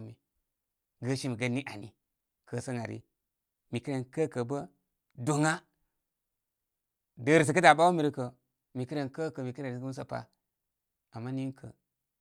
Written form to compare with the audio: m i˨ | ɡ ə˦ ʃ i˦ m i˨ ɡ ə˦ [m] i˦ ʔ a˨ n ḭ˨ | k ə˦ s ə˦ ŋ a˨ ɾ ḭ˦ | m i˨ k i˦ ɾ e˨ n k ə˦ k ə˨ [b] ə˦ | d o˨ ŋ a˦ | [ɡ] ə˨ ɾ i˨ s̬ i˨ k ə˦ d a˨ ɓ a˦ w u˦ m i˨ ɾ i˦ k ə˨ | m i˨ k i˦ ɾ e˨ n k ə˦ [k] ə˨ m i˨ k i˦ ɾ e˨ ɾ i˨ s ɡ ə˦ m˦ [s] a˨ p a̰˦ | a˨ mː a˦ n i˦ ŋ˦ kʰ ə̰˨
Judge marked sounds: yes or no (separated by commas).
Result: no, yes, no, yes, yes